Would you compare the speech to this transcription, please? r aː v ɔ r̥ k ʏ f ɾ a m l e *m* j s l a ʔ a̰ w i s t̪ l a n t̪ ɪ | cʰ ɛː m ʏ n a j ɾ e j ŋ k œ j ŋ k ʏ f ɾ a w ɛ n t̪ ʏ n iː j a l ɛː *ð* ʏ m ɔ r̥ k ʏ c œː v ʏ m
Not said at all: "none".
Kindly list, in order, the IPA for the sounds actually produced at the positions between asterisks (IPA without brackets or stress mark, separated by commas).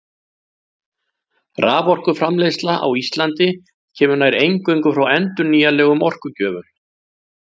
none, ɣ